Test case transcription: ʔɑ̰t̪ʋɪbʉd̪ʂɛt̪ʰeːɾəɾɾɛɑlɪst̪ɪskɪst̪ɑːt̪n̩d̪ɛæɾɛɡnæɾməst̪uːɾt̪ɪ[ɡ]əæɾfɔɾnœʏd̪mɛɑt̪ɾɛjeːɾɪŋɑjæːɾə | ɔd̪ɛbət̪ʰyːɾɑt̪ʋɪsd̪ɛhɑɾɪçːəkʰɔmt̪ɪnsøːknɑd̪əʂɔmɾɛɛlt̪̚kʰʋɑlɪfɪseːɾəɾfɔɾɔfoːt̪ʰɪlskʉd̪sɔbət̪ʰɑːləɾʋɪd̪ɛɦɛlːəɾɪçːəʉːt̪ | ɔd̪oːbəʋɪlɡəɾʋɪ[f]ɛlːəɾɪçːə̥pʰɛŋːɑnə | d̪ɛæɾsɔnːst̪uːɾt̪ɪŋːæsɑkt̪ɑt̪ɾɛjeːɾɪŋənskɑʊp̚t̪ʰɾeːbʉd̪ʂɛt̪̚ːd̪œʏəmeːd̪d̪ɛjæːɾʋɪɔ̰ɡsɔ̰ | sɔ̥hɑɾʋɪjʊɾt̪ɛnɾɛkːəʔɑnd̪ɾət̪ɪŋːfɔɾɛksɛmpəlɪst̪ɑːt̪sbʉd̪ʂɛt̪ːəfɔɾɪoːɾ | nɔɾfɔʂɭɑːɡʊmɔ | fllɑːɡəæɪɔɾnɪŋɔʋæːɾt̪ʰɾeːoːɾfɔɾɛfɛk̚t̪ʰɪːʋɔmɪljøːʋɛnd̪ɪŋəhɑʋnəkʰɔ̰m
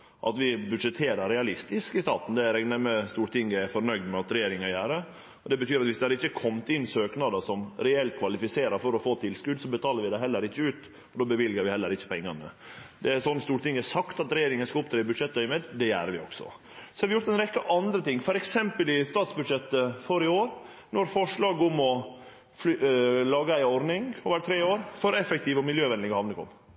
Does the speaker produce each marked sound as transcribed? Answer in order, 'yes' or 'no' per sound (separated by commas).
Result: no, no